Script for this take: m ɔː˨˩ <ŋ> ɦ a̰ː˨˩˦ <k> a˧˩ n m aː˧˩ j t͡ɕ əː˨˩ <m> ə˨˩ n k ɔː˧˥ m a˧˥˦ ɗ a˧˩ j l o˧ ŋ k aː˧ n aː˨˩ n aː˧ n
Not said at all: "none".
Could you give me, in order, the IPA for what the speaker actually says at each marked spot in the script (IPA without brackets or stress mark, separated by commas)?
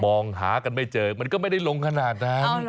ŋ, k, m